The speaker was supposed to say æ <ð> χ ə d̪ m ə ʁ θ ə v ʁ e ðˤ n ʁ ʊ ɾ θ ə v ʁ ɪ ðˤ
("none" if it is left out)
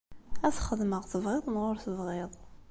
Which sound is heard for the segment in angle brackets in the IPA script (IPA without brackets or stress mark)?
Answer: θ